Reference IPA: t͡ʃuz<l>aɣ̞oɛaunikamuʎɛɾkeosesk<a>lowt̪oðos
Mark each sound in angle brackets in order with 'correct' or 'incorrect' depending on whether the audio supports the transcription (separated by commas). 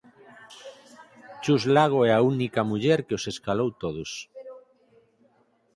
correct, correct